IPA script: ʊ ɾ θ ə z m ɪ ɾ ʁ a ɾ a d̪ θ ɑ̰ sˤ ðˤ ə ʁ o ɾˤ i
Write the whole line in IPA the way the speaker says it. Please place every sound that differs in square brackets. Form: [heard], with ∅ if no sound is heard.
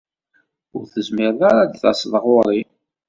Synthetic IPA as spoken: ʊ ɾ θ ə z m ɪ ɾ [ð] a ɾ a d̪ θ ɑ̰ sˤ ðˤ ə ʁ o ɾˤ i